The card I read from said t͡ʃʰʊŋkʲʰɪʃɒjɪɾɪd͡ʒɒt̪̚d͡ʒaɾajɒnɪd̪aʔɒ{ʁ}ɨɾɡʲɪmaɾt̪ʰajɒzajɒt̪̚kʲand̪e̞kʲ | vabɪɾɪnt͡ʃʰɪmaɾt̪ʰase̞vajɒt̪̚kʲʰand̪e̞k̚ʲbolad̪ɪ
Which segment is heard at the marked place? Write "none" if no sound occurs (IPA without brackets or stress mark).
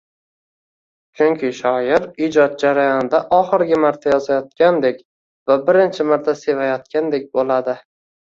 χ